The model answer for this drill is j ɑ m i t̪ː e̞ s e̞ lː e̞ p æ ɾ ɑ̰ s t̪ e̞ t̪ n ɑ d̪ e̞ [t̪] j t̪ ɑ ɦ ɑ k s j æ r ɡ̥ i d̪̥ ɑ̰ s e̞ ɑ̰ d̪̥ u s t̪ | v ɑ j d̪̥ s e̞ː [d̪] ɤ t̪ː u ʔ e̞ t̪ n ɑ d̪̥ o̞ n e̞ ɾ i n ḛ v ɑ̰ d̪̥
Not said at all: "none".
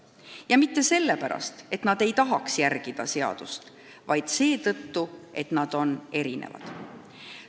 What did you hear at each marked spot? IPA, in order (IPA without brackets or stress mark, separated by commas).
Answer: none, t̪